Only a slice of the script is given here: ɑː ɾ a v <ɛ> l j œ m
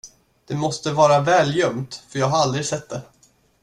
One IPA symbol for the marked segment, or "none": ɛː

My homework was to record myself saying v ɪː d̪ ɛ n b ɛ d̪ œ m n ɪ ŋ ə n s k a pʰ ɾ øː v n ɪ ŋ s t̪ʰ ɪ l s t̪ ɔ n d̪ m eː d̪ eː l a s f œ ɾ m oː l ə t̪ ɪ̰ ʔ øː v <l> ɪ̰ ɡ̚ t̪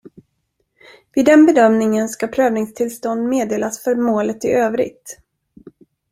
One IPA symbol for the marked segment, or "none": ɾ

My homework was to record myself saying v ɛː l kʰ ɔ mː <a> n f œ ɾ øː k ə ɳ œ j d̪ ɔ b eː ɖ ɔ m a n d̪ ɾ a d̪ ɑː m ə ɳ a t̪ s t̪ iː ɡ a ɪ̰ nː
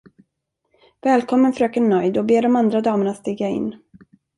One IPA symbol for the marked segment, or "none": ə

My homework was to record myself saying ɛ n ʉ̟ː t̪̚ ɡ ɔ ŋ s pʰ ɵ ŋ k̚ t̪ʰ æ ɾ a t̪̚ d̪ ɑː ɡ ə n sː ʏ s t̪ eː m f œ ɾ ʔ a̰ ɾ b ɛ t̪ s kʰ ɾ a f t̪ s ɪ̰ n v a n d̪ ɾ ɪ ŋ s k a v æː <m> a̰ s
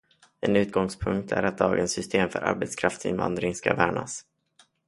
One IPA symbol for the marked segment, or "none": ɳ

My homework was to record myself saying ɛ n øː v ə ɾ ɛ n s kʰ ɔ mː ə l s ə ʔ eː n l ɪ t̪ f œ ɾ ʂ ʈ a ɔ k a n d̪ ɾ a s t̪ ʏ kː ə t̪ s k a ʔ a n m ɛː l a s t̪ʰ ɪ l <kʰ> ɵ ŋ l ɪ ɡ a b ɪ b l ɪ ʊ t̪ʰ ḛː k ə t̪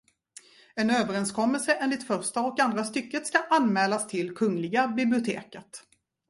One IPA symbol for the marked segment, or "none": kʰ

